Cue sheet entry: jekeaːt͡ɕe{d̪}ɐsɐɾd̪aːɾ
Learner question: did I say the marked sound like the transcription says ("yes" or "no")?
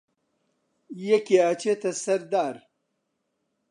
no